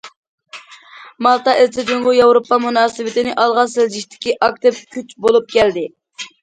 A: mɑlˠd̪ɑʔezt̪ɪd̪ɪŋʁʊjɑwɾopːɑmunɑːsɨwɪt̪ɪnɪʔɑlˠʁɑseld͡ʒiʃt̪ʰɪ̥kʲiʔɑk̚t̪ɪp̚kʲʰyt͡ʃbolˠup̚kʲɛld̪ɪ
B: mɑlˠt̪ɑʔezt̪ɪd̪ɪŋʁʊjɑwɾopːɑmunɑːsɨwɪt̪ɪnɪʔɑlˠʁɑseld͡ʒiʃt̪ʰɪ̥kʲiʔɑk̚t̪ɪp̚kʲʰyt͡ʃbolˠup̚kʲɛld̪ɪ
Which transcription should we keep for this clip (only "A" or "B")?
B